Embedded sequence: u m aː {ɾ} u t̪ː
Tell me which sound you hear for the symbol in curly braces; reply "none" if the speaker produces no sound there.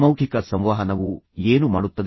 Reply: ɽ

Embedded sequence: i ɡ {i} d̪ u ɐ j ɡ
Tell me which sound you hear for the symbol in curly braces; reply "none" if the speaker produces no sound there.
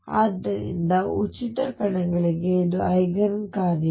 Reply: e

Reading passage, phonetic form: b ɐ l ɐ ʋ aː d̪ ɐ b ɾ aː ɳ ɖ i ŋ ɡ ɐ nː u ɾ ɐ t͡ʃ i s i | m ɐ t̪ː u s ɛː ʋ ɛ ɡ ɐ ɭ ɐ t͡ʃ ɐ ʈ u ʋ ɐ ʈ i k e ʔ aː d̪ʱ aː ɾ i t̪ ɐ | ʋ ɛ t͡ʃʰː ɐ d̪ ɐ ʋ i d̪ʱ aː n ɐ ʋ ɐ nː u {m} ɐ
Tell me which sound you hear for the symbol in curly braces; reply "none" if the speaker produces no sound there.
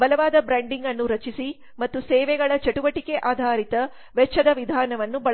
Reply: b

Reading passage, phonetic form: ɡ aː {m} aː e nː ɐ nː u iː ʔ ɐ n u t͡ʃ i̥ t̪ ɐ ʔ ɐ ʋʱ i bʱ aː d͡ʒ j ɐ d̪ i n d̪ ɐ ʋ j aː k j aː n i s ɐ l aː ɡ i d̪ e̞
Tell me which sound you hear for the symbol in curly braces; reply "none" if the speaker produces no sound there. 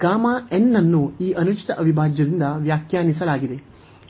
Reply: m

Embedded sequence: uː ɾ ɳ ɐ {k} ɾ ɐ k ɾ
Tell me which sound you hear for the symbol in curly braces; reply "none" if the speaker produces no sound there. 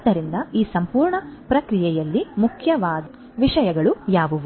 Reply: p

